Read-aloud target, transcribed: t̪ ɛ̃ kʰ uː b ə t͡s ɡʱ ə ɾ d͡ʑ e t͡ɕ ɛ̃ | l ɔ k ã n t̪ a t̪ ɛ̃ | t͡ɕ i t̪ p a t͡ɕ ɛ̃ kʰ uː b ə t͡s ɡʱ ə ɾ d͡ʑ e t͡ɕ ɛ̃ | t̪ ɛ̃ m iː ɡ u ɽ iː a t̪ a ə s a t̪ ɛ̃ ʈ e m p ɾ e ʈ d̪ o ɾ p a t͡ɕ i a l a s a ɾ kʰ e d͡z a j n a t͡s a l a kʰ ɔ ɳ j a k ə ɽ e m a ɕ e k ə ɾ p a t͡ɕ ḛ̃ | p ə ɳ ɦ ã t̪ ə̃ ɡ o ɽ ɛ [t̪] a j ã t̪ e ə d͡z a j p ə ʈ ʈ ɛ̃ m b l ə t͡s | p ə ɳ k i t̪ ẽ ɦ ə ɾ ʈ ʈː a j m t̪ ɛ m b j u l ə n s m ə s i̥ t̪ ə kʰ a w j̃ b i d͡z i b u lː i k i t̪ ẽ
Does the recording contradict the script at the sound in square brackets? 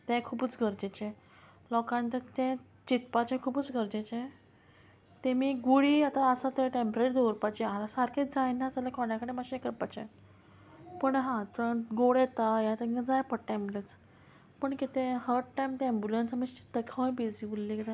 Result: no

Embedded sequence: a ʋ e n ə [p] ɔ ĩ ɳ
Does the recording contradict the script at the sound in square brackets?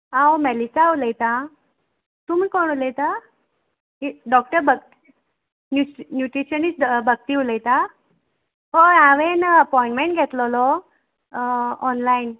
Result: no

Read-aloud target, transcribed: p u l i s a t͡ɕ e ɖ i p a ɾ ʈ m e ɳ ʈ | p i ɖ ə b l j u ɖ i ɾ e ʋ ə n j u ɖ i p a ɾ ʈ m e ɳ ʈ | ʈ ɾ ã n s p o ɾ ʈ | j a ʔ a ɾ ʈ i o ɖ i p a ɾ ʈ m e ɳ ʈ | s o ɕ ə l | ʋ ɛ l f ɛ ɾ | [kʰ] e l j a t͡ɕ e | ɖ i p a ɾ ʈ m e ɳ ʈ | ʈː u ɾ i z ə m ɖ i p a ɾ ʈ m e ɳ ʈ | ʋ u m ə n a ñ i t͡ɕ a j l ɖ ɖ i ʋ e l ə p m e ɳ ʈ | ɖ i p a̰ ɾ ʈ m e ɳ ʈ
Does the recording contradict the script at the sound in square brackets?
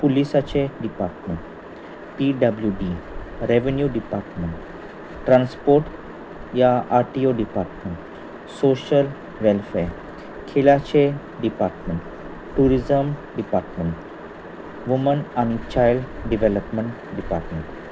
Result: no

